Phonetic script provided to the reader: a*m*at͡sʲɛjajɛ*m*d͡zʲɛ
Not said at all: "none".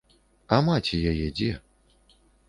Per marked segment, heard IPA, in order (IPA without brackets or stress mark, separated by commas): m, none